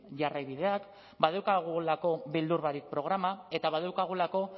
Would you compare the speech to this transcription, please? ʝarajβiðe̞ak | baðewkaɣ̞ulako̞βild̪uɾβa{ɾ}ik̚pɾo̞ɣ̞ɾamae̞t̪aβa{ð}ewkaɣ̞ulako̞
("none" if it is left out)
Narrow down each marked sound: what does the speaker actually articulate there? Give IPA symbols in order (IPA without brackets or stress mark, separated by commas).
ɾ, ð